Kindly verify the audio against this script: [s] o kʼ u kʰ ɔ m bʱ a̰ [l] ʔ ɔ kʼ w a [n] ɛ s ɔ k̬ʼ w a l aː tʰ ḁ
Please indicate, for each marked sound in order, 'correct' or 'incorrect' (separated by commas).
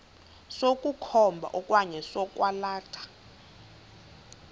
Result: correct, incorrect, incorrect